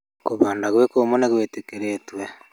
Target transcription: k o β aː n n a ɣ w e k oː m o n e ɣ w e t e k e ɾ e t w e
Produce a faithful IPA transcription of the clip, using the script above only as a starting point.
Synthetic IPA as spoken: k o β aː n d a ɣ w e k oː m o n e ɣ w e t e k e ɾ e t w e